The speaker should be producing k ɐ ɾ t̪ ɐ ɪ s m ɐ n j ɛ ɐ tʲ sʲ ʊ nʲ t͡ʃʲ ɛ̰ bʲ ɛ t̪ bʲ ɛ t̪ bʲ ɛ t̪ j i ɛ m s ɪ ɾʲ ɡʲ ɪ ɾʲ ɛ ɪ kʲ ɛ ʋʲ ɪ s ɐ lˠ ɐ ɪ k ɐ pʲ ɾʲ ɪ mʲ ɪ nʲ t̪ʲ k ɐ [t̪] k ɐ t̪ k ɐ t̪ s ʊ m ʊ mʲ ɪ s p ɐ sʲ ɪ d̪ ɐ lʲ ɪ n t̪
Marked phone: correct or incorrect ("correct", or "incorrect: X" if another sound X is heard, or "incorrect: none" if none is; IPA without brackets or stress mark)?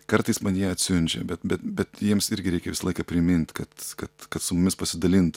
correct